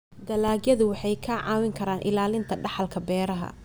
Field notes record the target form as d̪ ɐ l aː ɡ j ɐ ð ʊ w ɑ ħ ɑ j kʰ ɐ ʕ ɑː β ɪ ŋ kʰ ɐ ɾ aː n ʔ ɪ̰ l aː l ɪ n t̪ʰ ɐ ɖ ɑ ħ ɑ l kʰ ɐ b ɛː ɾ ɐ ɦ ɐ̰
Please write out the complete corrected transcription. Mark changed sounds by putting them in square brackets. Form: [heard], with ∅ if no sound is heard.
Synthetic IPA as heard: d̪ ɐ l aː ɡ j ɐ ð ʊ w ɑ ħ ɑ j kʰ ɐ ʕ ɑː [w] ɪ ŋ kʰ ɐ ɾ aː n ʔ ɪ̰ l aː l ɪ n t̪ʰ ɐ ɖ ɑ ħ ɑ l kʰ ɐ b ɛː ɾ ɐ ɦ ɐ̰

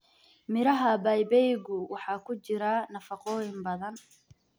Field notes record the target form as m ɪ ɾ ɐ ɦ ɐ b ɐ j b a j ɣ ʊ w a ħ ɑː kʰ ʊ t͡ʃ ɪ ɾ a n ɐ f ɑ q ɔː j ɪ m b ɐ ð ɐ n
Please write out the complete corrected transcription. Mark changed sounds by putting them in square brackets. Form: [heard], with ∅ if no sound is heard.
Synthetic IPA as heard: m ɪ ɾ ɐ ɦ ɐ b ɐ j b [ɛ] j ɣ ʊ w [ɑ] ħ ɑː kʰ ʊ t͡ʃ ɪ ɾ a n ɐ f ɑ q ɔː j ɪ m b ɐ ð ɐ n

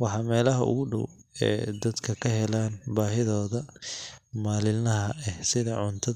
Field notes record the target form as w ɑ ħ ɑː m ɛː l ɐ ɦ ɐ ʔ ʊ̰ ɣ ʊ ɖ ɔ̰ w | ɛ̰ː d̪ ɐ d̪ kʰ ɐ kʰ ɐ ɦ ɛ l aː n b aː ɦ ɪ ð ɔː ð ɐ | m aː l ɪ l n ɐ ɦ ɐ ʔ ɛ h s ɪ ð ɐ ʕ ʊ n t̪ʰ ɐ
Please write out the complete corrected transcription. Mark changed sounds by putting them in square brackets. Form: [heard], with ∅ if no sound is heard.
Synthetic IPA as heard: w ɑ ħ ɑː m ɛː l ɐ ɦ ɐ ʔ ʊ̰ ɣ ʊ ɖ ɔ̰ w | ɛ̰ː d̪ ɐ d̪ kʰ ɐ kʰ ɐ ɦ ɛ l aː n b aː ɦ ɪ ð ɔː ð ɐ | m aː l ɪ l n ɐ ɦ ɐ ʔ ɛ h s ɪ ð ɐ ʕ ʊ n t̪ʰ ɐ

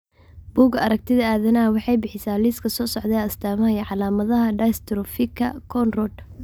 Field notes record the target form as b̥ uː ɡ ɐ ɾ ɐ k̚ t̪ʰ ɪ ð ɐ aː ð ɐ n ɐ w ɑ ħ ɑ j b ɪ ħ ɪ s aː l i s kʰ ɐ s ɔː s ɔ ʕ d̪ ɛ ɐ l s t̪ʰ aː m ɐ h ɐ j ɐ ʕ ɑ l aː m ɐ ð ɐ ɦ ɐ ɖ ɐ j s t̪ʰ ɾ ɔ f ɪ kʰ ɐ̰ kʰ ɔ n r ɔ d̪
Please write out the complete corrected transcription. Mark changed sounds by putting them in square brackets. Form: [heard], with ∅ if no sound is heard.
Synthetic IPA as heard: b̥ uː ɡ ɐ ɾ ɐ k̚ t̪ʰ ɪ ð ɐ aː ð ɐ n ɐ w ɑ ħ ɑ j b ɪ ħ ɪ s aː l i s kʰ ɐ s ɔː s ɔ ʕ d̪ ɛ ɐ [∅] s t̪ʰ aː m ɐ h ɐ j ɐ ʕ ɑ l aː m ɐ ð ɐ ɦ ɐ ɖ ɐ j s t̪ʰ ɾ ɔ f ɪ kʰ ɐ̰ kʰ ɔ n r ɔ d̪

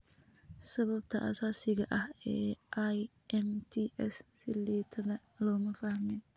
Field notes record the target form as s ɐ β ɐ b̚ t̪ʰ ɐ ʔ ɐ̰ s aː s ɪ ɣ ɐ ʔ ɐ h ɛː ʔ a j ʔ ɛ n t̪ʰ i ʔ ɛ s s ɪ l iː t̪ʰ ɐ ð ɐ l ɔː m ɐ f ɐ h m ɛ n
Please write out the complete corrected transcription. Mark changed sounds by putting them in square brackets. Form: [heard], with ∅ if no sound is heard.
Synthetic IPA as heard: s ɐ β ɐ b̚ t̪ʰ ɐ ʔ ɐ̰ s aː s ɪ ɣ ɐ ʔ ɐ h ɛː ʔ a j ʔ ɛ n t̪ʰ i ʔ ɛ s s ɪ l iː t̪ʰ ɐ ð ɐ l ɔː m ɐ f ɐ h m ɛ n

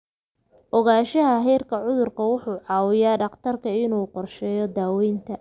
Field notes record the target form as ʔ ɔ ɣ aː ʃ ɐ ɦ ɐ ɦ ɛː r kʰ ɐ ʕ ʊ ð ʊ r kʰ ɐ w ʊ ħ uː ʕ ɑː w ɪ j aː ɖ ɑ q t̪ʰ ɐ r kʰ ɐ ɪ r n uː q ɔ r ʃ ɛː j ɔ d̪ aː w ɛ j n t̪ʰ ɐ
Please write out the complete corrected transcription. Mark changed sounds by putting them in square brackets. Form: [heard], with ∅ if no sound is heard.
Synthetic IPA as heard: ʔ ɔ ɣ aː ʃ ɐ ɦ ɐ ɦ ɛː r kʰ ɐ ʕ ʊ ð ʊ r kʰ ɐ w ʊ ħ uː ʕ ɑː w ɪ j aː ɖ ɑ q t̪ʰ ɐ r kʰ ɐ ɪ [∅] n uː q ɔ r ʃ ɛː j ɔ d̪ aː w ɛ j n t̪ʰ ɐ

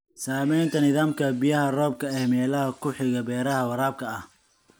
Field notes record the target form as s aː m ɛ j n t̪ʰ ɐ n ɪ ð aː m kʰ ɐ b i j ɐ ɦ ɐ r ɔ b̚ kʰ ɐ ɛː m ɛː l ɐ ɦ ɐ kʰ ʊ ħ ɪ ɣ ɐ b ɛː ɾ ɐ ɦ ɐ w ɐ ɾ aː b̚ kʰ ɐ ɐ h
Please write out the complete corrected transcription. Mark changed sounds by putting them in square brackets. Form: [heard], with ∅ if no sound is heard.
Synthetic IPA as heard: s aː m ɛ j n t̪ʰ ɐ n ɪ ð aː m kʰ ɐ b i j ɐ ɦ ɐ r [ɔː] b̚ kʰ ɐ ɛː m ɛː l ɐ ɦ ɐ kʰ ʊ ħ ɪ ɣ ɐ b ɛː ɾ ɐ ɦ ɐ w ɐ ɾ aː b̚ kʰ ɐ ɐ h

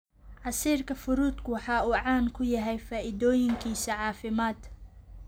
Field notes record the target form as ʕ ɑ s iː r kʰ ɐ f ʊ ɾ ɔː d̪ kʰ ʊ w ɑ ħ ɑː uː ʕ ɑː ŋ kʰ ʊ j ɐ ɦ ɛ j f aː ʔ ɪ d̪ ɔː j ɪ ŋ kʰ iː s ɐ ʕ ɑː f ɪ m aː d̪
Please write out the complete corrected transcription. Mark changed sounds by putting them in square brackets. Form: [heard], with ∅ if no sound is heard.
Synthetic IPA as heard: ʕ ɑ s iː r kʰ ɐ f ʊ ɾ [uː] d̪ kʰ ʊ w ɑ ħ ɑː uː ʕ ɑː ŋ kʰ ʊ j ɐ ɦ ɛ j f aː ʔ ɪ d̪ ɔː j ɪ ŋ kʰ iː s ɐ ʕ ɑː f ɪ m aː d̪

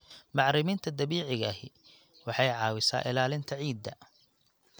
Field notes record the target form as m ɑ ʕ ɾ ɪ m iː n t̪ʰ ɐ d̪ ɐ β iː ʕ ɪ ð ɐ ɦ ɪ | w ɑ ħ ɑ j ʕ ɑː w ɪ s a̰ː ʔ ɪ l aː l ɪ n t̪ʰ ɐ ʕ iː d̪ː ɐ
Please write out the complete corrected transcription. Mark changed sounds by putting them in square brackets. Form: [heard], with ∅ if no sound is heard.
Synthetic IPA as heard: m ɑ ʕ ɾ ɪ m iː n t̪ʰ ɐ d̪ ɐ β iː ʕ ɪ [ɣ] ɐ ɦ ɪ | w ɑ ħ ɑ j ʕ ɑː w ɪ s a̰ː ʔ ɪ l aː l ɪ n t̪ʰ ɐ ʕ iː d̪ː ɐ

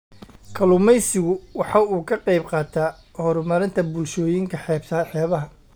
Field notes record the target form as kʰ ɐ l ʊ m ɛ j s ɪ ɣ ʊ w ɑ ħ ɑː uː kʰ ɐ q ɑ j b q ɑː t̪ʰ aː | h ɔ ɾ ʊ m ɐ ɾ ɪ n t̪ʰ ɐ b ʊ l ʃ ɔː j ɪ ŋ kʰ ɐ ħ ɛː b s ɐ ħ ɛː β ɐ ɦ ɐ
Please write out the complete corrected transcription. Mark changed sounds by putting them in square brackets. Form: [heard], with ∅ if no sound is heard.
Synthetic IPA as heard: kʰ ɐ l ʊ m ɛ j s ɪ ɣ ʊ w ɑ ħ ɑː uː kʰ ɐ q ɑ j b q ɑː t̪ʰ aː | h ɔ ɾ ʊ m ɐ ɾ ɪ n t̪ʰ ɐ b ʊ l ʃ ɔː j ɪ ŋ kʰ ɐ ħ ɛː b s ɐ ħ ɛː β ɐ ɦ ɐ

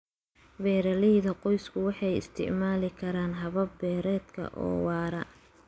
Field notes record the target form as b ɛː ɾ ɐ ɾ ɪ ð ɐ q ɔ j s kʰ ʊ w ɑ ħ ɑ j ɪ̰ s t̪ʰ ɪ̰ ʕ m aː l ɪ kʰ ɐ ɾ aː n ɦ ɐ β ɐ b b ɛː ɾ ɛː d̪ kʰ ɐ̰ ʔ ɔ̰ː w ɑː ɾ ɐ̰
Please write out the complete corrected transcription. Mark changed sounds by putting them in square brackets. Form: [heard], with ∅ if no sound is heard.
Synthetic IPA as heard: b ɛː ɾ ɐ [l] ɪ ð ɐ q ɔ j s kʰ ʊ w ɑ ħ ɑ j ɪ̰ s t̪ʰ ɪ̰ ʕ m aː l ɪ kʰ ɐ ɾ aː n ɦ ɐ β ɐ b b ɛː ɾ ɛː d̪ kʰ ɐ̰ ʔ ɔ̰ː w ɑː ɾ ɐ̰

